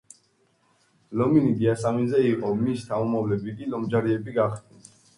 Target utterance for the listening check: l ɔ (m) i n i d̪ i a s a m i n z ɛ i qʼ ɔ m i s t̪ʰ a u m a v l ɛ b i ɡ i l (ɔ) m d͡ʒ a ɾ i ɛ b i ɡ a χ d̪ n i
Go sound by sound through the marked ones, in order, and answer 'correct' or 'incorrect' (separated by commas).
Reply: correct, correct